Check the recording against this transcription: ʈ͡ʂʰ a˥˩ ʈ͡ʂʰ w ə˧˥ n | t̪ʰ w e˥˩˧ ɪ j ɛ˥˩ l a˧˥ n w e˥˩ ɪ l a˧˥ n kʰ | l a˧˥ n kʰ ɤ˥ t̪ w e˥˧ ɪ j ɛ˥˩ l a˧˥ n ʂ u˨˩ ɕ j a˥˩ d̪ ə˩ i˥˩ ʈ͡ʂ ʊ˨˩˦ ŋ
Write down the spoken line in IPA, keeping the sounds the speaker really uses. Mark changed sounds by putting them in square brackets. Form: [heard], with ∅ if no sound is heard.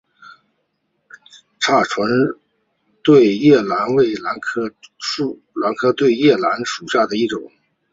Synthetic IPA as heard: ʈ͡ʂʰ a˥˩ ʈ͡ʂʰ w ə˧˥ n | [t̪] w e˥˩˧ ɪ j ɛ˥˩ l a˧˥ n w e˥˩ ɪ l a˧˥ n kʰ | l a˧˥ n kʰ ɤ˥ t̪ w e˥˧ ɪ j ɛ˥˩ l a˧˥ n ʂ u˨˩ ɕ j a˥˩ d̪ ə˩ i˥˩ ʈ͡ʂ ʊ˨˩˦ ŋ